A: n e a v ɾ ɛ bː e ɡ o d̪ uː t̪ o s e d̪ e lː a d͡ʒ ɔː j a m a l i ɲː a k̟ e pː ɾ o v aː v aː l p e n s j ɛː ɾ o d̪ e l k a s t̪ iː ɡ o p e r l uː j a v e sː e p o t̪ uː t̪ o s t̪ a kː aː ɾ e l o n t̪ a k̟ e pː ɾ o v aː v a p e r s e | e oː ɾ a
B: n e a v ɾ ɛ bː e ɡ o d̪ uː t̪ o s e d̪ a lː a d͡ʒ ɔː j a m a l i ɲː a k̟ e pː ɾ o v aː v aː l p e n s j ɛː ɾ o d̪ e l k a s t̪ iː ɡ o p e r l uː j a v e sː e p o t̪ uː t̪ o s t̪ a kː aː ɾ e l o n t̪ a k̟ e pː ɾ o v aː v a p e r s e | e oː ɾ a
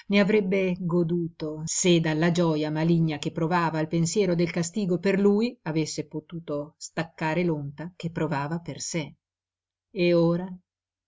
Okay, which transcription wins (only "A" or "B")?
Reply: B